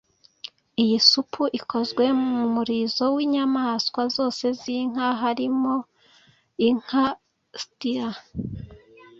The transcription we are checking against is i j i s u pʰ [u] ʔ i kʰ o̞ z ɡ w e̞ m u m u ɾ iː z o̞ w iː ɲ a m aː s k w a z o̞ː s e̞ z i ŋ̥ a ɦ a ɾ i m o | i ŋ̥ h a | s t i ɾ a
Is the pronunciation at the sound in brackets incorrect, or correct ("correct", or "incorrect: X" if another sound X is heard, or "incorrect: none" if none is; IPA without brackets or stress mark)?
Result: correct